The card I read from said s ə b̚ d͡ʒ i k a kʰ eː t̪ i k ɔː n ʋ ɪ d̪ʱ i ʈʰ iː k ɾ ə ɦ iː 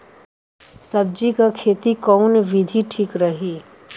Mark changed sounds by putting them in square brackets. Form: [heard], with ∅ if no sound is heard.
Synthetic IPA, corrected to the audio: s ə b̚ d͡ʒ i k a kʰ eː t̪ i k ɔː n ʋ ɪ d̪ʱ i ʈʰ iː k ɾ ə ɦ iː